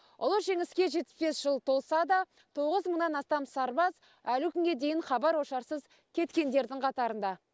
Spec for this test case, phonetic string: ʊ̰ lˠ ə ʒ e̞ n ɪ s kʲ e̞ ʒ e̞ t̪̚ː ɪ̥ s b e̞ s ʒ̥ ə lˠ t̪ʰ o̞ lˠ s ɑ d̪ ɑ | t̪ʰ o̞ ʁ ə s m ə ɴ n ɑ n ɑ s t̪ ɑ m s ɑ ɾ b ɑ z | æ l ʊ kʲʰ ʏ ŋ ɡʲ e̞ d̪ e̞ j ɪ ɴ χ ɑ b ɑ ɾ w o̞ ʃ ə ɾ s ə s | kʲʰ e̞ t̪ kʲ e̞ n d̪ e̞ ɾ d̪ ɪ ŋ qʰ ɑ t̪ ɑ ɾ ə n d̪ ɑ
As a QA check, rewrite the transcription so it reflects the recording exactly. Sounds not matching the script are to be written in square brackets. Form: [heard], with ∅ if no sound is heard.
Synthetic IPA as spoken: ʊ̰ lˠ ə ʒ e̞ [ŋ] ɪ s kʲ e̞ ʒ e̞ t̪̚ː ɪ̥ s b e̞ s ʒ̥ ə lˠ t̪ʰ o̞ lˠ s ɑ d̪ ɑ | t̪ʰ o̞ ʁ ə [z] m ə ɴ n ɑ n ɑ s t̪ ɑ m s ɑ ɾ b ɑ z | æ l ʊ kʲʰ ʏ ŋ ɡʲ e̞ d̪ e̞ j ɪ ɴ χ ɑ b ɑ ɾ w o̞ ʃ [ɑ] ɾ s ə [z] | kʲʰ e̞ t̪ kʲ e̞ n d̪ e̞ ɾ d̪ ɪ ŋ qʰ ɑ t̪ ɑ ɾ ə n d̪ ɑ

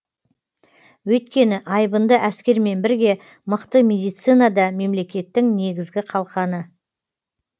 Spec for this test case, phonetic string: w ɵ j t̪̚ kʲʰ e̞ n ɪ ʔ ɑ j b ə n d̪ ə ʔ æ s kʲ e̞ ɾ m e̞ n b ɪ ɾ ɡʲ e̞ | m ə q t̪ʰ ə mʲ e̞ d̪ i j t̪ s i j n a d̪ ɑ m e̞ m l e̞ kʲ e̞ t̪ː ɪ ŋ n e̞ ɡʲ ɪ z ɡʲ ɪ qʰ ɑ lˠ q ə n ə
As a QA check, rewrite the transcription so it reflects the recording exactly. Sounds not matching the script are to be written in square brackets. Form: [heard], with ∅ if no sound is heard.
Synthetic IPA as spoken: w ɵ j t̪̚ [kʲ] e̞ n ɪ ʔ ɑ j b ə n d̪ ə ʔ æ s kʲ e̞ ɾ m e̞ n b ɪ ɾ ɡʲ e̞ | m ə q [t̪] ə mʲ e̞ d̪ i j t̪ s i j n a d̪ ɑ m e̞ m l e̞ kʲ e̞ t̪ː ɪ ŋ n e̞ ɡʲ ɪ z ɡʲ ɪ qʰ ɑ lˠ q [ɑ] n ə

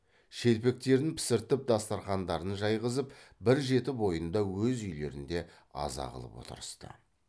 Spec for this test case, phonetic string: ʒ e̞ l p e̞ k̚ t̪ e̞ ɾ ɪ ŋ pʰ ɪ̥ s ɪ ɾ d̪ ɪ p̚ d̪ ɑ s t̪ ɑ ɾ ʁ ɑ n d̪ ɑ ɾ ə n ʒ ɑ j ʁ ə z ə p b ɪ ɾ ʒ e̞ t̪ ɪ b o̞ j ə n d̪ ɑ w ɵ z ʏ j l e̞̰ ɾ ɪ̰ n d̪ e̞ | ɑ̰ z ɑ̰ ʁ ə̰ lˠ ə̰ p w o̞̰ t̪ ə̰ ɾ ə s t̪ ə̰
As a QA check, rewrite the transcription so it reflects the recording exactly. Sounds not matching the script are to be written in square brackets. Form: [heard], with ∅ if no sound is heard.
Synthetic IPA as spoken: [ʃ] e̞ l p e̞ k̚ t̪ e̞ ɾ ɪ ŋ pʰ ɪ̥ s ɪ ɾ [t̪] ɪ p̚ d̪ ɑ s t̪ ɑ ɾ [χ] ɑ n d̪ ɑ ɾ ə n ʒ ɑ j ʁ ə z ə p b ɪ ɾ ʒ e̞ t̪ ɪ b o̞ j ə n d̪ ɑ w ɵ z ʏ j l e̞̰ ɾ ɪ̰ n d̪ e̞ | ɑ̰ z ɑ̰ ʁ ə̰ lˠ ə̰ p w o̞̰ t̪ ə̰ ɾ ə s t̪ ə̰

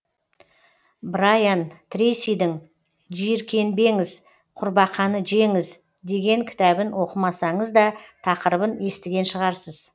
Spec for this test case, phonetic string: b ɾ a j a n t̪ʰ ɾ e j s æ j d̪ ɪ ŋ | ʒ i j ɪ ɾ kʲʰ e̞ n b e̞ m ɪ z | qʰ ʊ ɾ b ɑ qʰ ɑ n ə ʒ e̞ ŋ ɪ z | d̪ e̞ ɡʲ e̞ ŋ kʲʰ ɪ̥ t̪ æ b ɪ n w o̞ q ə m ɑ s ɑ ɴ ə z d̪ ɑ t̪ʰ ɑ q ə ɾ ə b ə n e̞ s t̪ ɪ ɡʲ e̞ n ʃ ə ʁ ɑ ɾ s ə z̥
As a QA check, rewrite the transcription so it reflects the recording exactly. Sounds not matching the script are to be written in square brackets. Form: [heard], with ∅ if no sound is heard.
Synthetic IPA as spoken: b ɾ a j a n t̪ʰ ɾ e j s [i] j d̪ ɪ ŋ | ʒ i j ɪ ɾ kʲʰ e̞ n b e̞ [ŋ] ɪ z | qʰ ʊ ɾ b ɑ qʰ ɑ n ə ʒ e̞ ŋ ɪ z | d̪ e̞ ɡʲ e̞ ŋ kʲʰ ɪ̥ t̪ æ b ɪ n w o̞ q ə m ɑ s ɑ ɴ ə z d̪ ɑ t̪ʰ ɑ q ə ɾ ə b ə n e̞ s t̪ ɪ ɡʲ e̞ n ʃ ə ʁ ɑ ɾ s ə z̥

